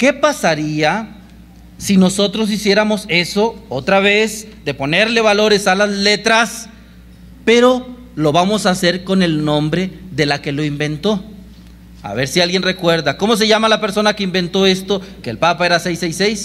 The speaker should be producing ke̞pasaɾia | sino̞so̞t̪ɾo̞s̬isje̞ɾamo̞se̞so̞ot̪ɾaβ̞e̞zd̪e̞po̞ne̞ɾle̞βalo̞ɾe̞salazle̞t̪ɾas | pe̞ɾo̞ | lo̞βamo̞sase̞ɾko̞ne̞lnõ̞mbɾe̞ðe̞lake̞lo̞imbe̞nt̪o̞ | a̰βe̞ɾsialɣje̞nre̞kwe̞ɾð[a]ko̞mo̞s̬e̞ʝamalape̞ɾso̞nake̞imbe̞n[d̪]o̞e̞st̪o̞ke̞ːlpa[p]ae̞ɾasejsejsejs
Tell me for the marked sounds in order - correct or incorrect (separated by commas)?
correct, incorrect, correct